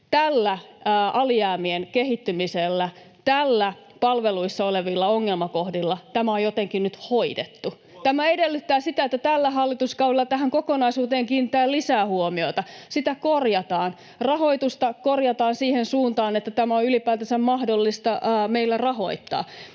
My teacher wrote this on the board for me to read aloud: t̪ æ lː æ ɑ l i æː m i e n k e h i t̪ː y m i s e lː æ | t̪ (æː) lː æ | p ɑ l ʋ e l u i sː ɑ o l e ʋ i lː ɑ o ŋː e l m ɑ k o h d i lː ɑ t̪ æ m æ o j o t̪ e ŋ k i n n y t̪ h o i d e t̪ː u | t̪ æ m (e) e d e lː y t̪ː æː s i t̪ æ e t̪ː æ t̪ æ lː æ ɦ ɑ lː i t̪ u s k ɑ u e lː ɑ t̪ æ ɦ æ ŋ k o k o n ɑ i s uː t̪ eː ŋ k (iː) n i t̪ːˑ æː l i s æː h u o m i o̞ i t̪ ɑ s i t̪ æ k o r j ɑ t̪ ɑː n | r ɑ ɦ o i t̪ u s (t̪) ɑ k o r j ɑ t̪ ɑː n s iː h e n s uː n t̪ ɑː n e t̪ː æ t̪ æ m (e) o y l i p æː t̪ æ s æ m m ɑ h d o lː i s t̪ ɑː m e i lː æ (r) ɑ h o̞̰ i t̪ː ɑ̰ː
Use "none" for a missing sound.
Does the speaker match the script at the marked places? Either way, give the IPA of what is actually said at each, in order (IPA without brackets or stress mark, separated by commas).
æ, æ, iː, t̪, æ, r